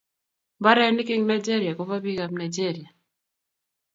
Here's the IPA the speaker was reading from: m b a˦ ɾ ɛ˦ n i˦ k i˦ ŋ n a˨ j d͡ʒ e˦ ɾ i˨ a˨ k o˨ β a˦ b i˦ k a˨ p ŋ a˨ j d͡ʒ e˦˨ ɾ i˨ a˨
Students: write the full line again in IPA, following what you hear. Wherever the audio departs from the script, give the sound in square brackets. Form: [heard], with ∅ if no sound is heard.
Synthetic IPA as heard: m b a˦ ɾ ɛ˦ n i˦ k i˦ ŋ n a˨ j d͡ʒ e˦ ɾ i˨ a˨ k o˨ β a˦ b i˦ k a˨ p [n] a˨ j d͡ʒ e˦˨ ɾ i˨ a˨

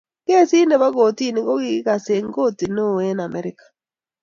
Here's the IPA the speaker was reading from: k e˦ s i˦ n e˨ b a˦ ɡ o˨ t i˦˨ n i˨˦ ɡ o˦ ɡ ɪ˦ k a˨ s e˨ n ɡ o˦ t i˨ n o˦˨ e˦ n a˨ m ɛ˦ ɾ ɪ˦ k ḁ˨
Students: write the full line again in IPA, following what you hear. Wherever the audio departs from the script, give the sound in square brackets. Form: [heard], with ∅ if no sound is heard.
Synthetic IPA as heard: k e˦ s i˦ n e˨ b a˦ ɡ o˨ t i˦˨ n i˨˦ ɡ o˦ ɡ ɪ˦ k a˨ s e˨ [ŋ] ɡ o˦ t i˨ n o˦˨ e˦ n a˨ m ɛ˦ ɾ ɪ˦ k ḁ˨

